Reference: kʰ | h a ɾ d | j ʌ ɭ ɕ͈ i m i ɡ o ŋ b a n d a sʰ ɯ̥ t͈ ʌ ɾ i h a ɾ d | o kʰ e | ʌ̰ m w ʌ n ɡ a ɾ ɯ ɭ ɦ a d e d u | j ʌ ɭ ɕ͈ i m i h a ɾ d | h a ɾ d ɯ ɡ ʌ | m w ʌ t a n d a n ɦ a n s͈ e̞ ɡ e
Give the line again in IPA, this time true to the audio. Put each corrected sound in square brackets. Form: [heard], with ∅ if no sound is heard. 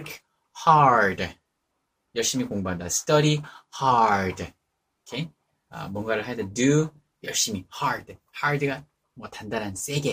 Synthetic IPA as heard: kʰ | h a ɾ d | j ʌ ɭ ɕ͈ i m i [k] o ŋ b a n d a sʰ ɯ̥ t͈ ʌ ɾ i h a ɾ d | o kʰ e | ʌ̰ m w ʌ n ɡ a ɾ ɯ ɭ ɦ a d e d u | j ʌ ɭ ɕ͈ i m i h a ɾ d | h a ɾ d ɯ ɡ [a] | m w ʌ t a n d a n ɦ a n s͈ e̞ ɡ e